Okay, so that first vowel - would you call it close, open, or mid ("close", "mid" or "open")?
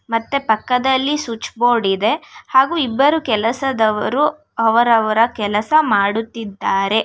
open